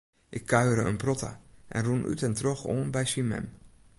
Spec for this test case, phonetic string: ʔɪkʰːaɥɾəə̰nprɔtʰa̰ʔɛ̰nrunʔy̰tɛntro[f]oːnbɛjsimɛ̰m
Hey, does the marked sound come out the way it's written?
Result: no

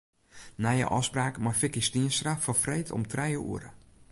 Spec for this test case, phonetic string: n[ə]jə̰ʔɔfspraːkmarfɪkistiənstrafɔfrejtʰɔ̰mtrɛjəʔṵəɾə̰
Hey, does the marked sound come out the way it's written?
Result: no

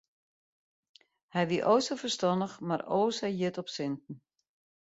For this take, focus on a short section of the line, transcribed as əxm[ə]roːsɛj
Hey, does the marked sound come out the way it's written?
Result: no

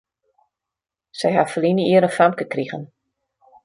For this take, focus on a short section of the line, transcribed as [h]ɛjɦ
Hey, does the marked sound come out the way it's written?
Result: no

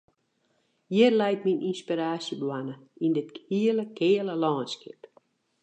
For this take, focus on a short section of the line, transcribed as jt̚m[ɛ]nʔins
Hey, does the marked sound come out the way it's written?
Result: no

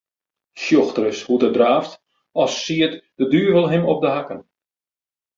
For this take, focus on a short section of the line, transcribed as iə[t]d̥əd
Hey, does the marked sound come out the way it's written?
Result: yes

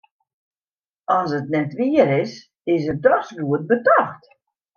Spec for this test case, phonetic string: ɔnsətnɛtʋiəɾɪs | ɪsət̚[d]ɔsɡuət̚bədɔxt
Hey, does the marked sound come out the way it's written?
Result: yes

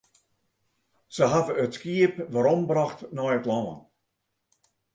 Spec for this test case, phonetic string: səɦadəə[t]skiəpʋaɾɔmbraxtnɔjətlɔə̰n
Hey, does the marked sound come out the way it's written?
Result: yes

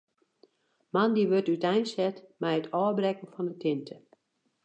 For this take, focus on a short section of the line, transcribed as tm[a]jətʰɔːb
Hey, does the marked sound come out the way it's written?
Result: no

